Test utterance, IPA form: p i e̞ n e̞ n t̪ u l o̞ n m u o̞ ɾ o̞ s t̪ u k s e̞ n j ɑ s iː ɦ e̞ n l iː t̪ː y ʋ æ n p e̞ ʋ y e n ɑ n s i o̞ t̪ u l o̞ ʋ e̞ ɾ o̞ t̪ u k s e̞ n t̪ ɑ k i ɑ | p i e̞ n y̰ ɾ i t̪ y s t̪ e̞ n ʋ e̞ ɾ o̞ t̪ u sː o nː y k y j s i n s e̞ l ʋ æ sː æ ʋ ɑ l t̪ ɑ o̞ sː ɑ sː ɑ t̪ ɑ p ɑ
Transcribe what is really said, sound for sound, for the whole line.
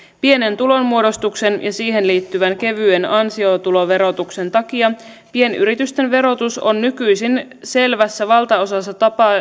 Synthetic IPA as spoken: p i e̞ n e̞ n t̪ u l o̞ n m u o̞ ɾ o̞ s t̪ u k s e̞ n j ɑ s iː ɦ e̞ n l iː t̪ː y ʋ æ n k e̞ ʋ y e n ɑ n s i o̞ t̪ u l o̞ ʋ e̞ ɾ o̞ t̪ u k s e̞ n t̪ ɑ k i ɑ | p i e̞ n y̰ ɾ i t̪ y s t̪ e̞ n ʋ e̞ ɾ o̞ t̪ u s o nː y k y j s i n s e̞ l ʋ æ sː æ ʋ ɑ l t̪ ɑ o̞ s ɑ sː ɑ t̪ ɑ p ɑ